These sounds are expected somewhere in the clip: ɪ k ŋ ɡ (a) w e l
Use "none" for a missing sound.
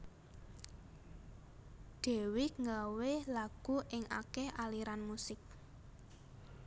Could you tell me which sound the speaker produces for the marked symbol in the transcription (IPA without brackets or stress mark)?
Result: a